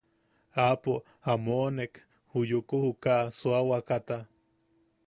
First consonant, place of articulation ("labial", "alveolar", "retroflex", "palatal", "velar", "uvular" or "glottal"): labial